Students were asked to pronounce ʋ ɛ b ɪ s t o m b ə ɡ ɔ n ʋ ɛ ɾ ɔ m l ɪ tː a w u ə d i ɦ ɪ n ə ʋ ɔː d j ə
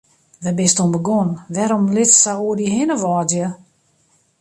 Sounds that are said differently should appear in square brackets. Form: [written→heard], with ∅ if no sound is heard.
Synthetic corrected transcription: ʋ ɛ b ɪ s t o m b ə ɡ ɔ n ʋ ɛ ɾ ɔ m l ɪ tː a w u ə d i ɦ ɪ n ə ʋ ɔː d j ə